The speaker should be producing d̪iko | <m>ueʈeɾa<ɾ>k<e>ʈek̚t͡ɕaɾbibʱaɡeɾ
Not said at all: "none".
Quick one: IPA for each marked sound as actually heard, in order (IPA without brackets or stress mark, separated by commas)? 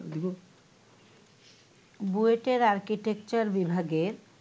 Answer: b, ɾ, i